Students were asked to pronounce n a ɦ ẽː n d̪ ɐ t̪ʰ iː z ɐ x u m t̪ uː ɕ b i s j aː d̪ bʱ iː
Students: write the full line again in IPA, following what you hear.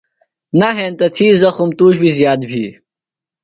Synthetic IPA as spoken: n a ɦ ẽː n t̪ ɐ t̪ʰ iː z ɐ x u m t̪ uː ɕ b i z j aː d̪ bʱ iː